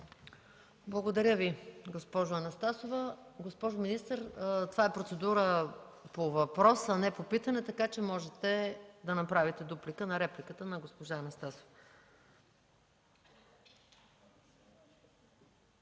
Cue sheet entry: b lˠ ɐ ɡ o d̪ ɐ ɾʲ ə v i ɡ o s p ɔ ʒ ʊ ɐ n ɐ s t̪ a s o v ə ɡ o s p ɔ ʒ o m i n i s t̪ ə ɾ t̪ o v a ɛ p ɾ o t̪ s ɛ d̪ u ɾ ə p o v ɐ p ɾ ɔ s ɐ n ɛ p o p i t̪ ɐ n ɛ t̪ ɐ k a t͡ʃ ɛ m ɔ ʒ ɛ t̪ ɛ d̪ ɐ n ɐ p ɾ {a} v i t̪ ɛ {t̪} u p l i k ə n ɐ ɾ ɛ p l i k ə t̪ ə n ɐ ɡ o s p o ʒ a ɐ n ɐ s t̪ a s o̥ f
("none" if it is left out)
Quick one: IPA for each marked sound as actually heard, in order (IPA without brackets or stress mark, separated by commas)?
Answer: a, d̪